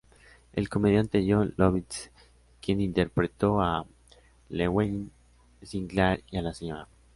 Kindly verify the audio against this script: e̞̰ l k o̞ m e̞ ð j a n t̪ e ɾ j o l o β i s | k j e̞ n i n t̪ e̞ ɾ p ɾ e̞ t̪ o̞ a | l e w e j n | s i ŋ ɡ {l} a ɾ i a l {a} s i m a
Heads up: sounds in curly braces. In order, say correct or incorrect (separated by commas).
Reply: correct, correct